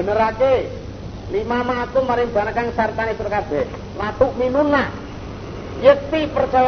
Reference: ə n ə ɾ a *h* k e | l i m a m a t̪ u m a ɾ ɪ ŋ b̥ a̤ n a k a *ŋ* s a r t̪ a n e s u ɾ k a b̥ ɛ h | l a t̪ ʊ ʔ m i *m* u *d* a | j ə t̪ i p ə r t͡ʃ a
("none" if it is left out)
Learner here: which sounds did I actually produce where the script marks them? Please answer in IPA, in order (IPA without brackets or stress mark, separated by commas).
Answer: none, ŋ, n, n